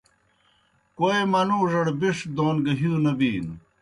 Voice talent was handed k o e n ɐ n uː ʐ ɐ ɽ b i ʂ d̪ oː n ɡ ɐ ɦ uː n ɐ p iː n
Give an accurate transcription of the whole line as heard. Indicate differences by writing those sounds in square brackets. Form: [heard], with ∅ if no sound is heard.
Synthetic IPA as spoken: k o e [m] ɐ n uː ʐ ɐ ɽ b i ʂ d̪ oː n ɡ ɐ ɦ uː n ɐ [b] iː n